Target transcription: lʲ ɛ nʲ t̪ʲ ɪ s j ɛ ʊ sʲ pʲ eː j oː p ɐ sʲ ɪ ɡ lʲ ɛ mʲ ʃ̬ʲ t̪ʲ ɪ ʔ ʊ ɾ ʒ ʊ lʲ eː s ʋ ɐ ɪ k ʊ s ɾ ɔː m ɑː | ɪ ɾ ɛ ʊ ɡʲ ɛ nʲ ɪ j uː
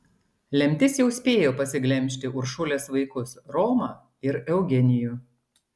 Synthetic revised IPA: lʲ ɛ mʲ t̪ʲ ɪ s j ɛ ʊ sʲ pʲ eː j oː p ɐ sʲ ɪ ɡ lʲ ɛ mʲ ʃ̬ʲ t̪ʲ ɪ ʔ ʊ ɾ ʃ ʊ lʲ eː s ʋ ɐ ɪ k ʊ s ɾ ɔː m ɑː | ɪ ɾ ɛ ʊ ɡʲ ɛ nʲ ɪ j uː